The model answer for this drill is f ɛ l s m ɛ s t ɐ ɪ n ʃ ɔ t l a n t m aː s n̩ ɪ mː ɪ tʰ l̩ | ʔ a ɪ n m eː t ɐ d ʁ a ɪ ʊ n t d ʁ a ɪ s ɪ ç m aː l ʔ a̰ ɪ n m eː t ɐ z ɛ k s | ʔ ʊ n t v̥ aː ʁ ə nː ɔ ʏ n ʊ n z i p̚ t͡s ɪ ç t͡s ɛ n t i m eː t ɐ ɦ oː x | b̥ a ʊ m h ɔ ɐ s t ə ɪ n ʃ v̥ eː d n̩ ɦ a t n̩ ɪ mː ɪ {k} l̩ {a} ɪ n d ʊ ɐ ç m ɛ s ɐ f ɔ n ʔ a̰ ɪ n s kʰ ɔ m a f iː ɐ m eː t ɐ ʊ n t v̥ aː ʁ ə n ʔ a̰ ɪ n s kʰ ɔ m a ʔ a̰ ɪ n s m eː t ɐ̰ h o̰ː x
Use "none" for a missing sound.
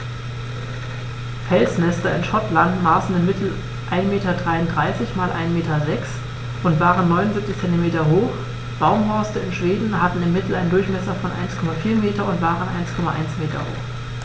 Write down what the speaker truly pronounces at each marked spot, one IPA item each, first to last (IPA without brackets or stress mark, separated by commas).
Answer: t, a